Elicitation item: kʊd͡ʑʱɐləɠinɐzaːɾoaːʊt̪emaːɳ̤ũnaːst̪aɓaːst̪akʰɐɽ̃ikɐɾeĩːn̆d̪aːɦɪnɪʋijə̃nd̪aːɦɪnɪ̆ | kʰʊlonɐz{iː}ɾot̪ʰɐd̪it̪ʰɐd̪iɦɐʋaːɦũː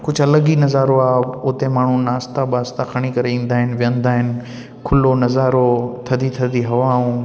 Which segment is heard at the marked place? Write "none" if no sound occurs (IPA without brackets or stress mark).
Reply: aː